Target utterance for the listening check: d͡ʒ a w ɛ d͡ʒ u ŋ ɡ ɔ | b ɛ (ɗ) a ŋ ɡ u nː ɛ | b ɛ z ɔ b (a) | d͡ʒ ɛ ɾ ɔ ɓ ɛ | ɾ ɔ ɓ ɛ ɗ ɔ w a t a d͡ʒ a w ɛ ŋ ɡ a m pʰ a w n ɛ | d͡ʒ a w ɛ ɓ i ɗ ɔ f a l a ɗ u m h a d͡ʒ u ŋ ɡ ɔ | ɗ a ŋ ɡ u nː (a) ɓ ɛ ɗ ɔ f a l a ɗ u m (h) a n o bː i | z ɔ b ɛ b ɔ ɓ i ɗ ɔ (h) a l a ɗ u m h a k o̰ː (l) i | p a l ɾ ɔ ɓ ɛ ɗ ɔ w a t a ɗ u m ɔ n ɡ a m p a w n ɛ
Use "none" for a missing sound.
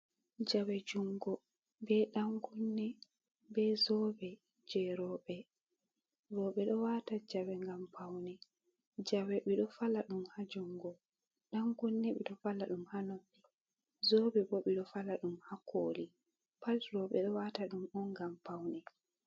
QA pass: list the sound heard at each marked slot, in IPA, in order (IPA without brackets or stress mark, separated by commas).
ɗ, ɛ, ɛ, h, f, l